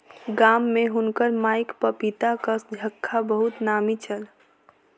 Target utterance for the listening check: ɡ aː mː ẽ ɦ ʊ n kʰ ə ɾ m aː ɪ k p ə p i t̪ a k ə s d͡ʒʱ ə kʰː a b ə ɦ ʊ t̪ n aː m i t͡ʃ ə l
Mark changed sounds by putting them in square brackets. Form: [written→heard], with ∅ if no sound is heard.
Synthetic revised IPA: ɡ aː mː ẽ ɦ ʊ n [kʰ→k] ə ɾ m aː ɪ k p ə p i t̪ a k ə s d͡ʒʱ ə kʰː a b ə ɦ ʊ t̪ n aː m i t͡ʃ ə l